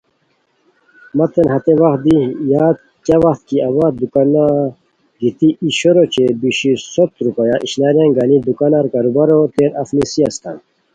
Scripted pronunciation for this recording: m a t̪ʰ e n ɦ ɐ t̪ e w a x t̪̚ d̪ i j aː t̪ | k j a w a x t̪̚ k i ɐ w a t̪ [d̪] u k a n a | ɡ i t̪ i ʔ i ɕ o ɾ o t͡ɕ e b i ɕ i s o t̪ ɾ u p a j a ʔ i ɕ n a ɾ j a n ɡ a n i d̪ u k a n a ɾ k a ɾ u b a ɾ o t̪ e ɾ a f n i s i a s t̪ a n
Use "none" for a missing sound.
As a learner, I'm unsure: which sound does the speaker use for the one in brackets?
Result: d̪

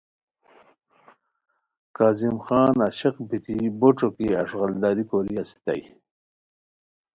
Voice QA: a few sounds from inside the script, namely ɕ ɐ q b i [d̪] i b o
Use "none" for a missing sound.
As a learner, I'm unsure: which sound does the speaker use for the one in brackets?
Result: t̪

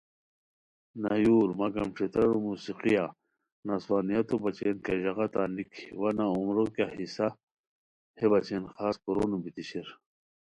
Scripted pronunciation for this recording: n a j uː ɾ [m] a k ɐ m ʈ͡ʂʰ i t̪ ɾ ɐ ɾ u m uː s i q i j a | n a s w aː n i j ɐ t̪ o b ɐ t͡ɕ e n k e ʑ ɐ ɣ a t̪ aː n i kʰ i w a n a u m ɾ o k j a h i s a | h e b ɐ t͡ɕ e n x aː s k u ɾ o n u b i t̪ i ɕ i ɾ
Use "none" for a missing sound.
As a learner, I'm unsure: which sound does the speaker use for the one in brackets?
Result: m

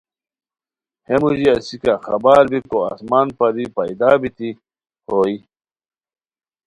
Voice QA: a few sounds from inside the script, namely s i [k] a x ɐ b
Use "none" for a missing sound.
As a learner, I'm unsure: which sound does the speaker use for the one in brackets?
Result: k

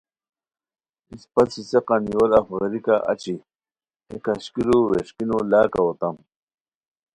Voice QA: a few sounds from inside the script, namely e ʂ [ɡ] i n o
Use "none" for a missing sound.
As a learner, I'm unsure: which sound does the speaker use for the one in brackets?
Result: k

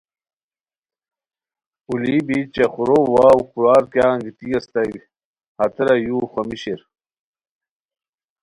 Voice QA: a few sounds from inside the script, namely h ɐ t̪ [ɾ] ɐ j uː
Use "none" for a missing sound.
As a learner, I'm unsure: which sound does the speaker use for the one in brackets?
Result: ɾ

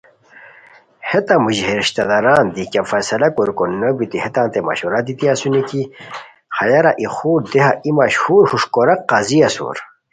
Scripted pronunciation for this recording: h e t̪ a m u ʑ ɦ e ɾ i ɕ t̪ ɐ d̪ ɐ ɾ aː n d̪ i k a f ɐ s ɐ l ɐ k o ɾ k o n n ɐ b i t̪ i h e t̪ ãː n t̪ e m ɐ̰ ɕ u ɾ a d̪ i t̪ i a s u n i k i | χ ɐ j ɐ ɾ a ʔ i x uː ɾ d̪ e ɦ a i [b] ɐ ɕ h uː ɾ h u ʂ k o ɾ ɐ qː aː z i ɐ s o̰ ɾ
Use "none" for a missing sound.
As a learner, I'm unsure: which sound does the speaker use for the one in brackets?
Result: m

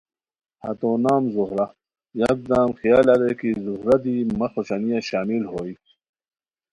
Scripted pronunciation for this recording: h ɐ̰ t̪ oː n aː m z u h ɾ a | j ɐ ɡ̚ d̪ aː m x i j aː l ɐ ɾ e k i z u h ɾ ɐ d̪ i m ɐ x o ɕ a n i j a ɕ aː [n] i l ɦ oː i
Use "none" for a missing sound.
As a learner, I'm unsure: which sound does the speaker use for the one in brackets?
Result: m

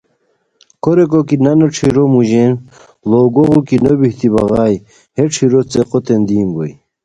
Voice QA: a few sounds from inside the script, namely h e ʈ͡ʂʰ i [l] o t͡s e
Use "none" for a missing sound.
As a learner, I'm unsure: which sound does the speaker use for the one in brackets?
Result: ɾ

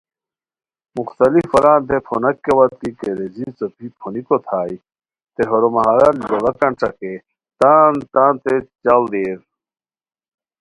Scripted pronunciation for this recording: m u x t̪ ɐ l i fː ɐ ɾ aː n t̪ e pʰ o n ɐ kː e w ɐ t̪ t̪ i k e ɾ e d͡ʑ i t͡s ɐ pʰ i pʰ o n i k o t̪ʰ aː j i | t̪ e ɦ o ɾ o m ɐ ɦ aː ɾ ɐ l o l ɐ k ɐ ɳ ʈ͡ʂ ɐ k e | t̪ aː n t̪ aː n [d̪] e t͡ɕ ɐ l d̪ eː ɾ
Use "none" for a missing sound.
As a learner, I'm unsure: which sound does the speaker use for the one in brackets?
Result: t̪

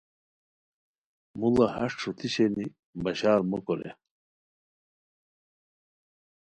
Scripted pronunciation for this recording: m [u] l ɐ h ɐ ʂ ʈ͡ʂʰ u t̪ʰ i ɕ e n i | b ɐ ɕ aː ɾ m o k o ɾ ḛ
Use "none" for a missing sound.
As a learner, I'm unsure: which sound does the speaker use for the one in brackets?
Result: u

